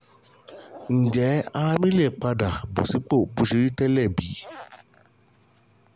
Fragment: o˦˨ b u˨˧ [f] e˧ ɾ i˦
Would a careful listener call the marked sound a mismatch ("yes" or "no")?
yes